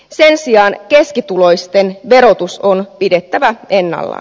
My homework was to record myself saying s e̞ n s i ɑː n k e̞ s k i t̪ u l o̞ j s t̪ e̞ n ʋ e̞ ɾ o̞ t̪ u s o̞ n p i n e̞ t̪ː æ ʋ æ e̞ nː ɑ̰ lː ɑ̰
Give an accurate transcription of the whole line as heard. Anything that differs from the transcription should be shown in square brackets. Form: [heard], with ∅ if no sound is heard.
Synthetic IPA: s e̞ n s i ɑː n k e̞ s k i t̪ u l o̞ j s t̪ e̞ n ʋ e̞ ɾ o̞ t̪ u s o̞ n p i [d] e̞ t̪ː æ ʋ æ e̞ nː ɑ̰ lː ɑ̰